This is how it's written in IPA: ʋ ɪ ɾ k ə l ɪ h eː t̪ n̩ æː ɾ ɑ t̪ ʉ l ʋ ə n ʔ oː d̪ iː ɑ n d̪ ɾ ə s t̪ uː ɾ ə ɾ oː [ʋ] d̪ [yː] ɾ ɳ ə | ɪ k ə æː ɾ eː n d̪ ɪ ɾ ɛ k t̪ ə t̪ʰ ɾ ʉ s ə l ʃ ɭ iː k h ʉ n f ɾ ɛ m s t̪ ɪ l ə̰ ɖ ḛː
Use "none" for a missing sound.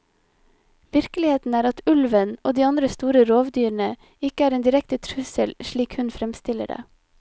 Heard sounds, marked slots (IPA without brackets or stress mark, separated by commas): ʋ, yː